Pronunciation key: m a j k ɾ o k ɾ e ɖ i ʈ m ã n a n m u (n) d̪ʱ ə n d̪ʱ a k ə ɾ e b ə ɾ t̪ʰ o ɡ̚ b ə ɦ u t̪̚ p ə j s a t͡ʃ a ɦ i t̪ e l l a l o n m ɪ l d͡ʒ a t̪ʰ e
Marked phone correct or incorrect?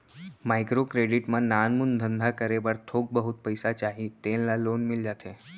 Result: correct